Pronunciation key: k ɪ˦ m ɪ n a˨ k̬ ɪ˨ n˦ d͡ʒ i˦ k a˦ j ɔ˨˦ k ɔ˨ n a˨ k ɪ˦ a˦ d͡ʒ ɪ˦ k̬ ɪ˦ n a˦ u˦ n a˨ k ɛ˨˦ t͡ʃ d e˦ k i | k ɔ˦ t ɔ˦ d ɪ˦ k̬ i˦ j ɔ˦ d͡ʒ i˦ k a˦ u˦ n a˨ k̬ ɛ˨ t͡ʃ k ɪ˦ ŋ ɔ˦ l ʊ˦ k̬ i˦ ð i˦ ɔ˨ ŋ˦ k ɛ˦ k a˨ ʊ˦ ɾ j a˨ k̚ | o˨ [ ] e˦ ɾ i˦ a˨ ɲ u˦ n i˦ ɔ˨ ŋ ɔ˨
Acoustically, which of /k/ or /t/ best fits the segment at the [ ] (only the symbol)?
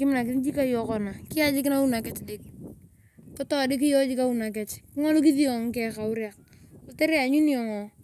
t